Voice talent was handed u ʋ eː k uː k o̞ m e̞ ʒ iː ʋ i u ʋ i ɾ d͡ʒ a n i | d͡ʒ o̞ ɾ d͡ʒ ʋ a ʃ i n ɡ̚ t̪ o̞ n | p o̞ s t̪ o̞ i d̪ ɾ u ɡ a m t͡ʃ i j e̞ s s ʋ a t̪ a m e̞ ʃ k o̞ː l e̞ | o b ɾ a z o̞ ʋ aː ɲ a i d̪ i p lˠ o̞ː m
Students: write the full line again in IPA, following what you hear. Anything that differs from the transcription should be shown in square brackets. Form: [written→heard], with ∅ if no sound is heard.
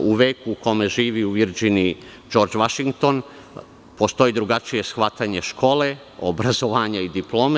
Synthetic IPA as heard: u ʋ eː k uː k o̞ m e̞ ʒ iː ʋ i u ʋ i ɾ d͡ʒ [a→i] n i | d͡ʒ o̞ ɾ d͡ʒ ʋ a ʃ i [n→ŋ] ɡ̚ t̪ o̞ n | p o̞ s t̪ o̞ i d̪ ɾ u ɡ a [m→∅] t͡ʃ i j e̞ s [s→x] ʋ a t̪ a [m→ɲ] e̞ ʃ k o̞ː l e̞ | o b ɾ a z o̞ ʋ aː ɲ a i d̪ i p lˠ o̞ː m